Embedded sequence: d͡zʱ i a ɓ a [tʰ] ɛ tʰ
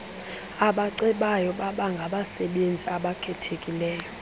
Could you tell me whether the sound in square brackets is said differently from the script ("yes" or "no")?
yes